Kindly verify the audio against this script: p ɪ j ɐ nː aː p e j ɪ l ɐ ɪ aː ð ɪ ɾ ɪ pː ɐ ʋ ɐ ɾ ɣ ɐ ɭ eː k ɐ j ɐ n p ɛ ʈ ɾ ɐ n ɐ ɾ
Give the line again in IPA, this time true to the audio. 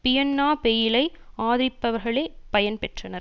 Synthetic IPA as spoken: p ɪ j ɐ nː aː p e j ɪ l ɐ ɪ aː ð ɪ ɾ ɪ pː ɐ ʋ ɐ ɾ ɣ ɐ ɭ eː p ɐ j ɐ n p ɛ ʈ r ɐ n ɐ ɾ